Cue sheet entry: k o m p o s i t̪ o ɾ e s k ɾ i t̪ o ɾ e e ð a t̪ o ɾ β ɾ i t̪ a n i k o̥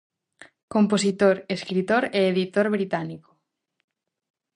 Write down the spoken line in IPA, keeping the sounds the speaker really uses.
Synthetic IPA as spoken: k o m p o s i t̪ o ɾ e s k ɾ i t̪ o ɾ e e ð i t̪ o ɾ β ɾ i t̪ a n i k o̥